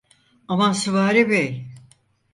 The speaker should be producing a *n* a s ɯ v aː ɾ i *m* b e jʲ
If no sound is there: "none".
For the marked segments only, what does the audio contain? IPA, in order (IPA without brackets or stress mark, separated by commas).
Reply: m, none